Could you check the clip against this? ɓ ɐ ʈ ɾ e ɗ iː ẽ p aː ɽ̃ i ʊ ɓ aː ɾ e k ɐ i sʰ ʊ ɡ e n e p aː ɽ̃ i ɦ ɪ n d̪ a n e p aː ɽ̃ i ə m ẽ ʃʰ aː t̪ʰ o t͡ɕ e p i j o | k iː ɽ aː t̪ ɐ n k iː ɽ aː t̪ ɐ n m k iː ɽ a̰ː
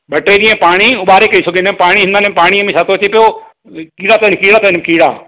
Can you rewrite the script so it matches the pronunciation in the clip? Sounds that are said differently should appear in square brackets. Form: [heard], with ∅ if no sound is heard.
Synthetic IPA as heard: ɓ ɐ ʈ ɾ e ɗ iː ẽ p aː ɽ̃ i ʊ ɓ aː ɾ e k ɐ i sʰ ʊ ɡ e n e p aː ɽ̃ i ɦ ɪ n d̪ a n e p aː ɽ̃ i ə m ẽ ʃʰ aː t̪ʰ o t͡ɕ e p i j o | k iː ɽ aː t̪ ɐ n k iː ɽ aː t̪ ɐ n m k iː ɽ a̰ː